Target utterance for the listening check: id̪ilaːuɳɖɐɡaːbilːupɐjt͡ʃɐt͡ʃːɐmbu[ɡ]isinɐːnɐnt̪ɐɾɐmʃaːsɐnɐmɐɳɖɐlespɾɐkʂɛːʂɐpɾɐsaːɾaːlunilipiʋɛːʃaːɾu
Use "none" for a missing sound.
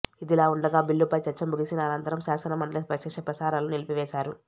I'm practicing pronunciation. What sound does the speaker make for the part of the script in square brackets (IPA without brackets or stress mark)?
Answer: ɡ